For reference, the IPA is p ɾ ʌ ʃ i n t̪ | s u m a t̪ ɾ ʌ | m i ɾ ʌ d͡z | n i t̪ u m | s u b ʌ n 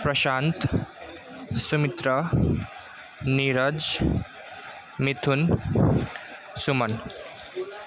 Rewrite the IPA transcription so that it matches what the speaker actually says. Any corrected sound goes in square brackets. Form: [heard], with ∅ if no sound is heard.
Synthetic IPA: p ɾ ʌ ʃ [a] n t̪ | s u m [i] t̪ ɾ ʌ | [n] i ɾ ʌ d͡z | [m] i [t̪ʰ] u [n] | s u [m] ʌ n